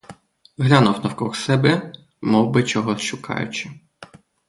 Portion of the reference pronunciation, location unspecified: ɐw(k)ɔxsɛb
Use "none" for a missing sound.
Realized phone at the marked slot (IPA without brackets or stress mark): k